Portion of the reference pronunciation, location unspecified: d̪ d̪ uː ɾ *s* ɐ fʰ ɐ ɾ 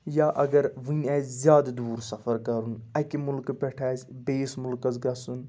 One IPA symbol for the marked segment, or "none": s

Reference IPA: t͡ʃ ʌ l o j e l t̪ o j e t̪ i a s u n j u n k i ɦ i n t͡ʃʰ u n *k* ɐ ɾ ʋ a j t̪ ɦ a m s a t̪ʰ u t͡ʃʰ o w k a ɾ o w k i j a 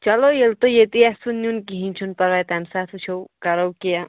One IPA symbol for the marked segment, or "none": p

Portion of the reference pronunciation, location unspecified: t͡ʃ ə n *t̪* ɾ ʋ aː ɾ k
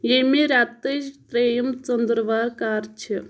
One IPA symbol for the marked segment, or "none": d̪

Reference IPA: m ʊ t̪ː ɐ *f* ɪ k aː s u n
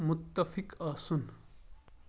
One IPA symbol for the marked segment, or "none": f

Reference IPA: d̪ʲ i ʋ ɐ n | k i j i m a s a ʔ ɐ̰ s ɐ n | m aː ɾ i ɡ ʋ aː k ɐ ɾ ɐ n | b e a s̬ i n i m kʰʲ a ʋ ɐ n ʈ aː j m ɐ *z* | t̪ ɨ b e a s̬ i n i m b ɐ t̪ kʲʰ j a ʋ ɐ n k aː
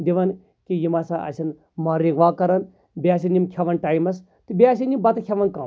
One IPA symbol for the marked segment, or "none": s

